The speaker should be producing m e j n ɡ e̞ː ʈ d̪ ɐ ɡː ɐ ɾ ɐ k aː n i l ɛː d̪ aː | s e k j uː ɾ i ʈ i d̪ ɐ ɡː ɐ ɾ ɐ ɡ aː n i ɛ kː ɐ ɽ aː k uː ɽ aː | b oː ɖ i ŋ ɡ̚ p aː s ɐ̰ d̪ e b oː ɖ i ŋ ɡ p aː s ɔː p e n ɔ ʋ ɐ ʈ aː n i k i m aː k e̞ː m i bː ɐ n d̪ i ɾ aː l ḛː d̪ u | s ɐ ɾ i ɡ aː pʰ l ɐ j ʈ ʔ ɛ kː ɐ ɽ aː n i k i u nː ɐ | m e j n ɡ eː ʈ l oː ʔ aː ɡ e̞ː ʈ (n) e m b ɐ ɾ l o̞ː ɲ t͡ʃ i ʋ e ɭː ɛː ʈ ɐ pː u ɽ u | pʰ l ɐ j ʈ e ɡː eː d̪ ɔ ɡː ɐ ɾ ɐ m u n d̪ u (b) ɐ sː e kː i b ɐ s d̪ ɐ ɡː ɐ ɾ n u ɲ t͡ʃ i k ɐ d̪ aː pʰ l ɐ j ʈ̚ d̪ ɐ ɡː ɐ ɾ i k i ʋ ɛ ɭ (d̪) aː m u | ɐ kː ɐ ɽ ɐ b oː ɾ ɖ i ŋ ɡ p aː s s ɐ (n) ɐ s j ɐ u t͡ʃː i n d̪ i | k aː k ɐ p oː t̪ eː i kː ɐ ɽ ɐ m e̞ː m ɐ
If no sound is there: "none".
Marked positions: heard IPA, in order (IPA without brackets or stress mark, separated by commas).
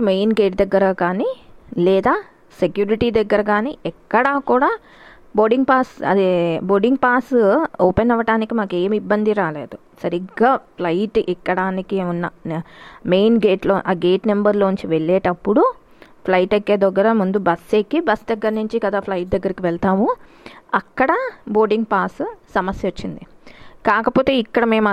n, b, t̪, m